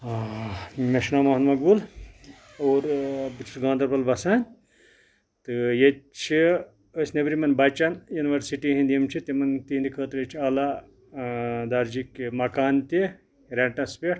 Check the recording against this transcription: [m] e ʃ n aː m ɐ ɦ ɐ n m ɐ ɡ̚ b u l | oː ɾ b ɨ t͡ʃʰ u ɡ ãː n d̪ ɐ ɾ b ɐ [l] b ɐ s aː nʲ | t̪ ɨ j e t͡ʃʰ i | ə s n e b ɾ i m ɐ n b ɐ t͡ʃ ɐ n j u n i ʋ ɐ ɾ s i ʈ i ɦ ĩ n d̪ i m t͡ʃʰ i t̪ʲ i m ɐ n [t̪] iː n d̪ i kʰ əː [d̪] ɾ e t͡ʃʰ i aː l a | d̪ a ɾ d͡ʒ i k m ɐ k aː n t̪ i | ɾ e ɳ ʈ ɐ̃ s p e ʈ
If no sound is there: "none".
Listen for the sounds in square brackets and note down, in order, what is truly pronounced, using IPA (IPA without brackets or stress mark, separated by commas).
m, l, t̪, t̪